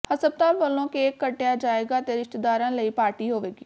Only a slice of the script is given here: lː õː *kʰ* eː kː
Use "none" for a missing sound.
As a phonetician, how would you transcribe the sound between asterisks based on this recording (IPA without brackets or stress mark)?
k